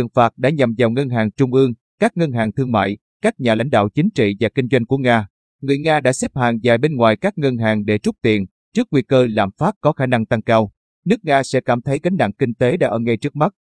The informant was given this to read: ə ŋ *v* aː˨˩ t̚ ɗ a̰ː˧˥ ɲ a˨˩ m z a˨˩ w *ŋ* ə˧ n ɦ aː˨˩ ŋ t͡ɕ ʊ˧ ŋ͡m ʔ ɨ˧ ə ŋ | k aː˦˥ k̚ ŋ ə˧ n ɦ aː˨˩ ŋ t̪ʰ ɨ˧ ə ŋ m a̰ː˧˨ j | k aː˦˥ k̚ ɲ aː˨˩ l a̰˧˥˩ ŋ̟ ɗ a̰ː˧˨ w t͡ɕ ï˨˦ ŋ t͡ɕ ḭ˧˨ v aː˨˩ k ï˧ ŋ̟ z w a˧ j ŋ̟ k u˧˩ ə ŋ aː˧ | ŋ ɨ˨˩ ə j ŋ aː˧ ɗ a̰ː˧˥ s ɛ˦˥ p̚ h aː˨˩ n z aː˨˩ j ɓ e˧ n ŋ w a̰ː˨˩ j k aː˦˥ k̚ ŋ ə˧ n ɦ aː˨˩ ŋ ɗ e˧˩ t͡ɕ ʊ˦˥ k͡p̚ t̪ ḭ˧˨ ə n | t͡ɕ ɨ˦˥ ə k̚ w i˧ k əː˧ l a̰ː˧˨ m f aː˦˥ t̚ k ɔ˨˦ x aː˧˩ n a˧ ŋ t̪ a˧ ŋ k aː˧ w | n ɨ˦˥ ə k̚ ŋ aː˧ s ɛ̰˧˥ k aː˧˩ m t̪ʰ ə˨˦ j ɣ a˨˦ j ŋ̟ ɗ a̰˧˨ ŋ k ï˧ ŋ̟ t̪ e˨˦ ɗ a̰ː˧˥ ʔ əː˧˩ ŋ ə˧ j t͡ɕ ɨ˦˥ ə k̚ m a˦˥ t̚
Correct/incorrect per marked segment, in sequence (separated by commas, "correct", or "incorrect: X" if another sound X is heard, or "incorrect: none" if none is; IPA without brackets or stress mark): incorrect: f, correct